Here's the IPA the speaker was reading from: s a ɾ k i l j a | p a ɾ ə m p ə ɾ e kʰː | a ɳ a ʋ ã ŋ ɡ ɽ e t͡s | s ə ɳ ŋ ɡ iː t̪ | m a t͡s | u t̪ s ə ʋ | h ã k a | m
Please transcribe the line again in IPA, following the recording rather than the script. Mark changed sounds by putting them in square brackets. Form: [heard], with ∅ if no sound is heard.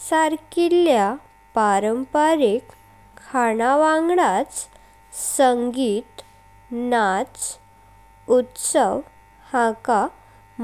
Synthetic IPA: s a ɾ k i l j a | p a ɾ ə m p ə ɾ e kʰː | a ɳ a ʋ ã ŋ ɡ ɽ [a] t͡s | s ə [∅] ŋ ɡ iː t̪ | [n] a t͡s | u t̪ s ə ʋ | h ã k a | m